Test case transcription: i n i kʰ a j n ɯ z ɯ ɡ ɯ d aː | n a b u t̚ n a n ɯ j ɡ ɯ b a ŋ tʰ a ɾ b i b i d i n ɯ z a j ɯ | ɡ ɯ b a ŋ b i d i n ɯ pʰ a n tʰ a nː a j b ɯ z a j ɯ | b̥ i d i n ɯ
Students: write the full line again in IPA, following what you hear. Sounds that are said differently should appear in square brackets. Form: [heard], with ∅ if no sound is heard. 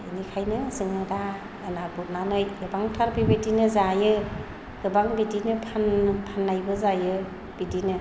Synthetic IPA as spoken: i n i kʰ a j n ɯ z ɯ [ŋ] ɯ d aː | n a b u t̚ n a n ɯ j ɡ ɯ b a ŋ tʰ a ɾ b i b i d i n ɯ z a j ɯ | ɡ ɯ b a ŋ b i d i n ɯ pʰ a n [pʰ] a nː a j b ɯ z a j ɯ | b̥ i d i n ɯ